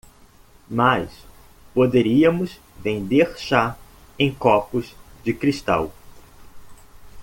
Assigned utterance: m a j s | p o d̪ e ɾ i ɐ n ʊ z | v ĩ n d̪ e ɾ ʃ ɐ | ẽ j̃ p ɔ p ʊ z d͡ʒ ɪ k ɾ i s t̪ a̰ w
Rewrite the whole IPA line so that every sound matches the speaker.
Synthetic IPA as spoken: m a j s | p o d̪ e ɾ i ɐ m ʊ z | v ẽ n d̪ e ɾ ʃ a | ẽ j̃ k ɔ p ʊ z d͡ʒ ɪ k ɾ i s t̪ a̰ w